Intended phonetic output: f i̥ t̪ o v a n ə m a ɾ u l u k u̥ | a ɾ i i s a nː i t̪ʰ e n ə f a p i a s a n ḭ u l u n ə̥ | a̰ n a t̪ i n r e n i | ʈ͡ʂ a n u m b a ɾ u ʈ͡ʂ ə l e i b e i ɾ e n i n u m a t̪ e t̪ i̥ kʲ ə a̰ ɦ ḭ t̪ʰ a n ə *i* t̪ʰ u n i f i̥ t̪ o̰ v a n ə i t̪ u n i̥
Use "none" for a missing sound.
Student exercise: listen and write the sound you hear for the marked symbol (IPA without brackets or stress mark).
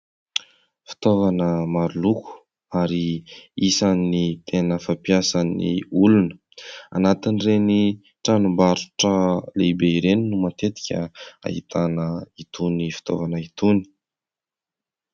i